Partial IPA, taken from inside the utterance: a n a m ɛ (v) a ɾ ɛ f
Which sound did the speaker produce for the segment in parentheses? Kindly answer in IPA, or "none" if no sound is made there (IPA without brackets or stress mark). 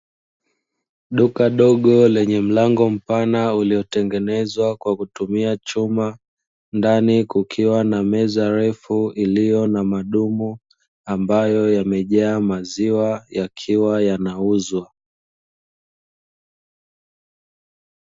z